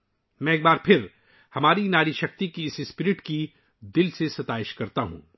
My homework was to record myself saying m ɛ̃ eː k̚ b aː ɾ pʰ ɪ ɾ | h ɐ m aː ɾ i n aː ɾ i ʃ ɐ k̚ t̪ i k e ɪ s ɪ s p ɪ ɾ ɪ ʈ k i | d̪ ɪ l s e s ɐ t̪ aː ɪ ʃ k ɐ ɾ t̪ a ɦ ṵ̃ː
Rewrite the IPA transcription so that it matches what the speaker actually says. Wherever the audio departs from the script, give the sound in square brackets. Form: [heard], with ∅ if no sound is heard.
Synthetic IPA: m ɛ̃ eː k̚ b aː ɾ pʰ ɪ ɾ | h ɐ m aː ɾ i n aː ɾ i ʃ ɐ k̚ t̪ i k [i] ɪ s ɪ s p ɪ ɾ ɪ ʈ k i | d̪ ɪ l s e s ɐ t̪ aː ɪ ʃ k ɐ ɾ t̪ a ɦ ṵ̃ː